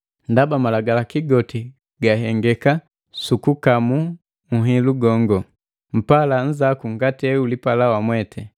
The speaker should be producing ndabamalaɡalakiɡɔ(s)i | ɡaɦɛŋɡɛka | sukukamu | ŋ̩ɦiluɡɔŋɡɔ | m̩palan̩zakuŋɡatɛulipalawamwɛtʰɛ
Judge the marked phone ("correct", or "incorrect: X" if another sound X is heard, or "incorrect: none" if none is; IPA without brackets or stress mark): incorrect: t